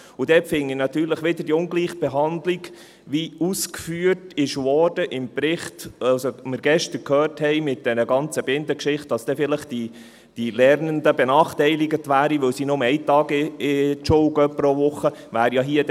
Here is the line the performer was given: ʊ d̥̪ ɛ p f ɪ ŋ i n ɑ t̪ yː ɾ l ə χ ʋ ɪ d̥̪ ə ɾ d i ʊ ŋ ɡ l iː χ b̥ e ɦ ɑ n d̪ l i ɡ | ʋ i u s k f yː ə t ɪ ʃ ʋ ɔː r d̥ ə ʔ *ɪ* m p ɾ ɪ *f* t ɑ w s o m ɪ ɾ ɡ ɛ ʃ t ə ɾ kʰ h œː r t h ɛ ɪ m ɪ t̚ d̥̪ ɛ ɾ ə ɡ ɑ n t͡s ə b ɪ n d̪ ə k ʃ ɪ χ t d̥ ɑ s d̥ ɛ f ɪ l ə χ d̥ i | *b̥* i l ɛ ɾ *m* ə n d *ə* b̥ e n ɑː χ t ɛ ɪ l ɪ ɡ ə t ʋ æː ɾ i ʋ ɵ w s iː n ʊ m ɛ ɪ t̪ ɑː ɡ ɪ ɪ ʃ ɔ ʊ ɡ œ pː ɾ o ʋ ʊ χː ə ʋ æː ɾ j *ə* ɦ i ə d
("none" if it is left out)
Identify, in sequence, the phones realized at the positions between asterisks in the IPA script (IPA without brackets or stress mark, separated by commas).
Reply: ɪ, χ, d̥, n, ə, ɑ